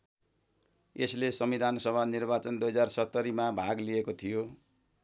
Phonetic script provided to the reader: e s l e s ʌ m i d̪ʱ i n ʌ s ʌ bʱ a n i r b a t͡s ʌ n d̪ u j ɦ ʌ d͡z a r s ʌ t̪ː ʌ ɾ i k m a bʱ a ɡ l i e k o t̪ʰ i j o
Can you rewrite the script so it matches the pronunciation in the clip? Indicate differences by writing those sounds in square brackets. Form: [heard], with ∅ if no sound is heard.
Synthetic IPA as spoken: e s l e s ʌ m i d̪ʱ [a] n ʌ s ʌ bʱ a n i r b a t͡s ʌ n d̪ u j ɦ ʌ d͡z a r s ʌ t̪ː ʌ ɾ i [∅] m a bʱ a ɡ l i e k o t̪ʰ i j o